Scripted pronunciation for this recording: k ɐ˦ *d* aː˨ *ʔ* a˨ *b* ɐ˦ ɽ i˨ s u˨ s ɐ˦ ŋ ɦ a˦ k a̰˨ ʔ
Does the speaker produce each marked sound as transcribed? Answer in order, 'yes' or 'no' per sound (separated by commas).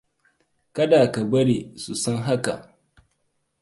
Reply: yes, no, yes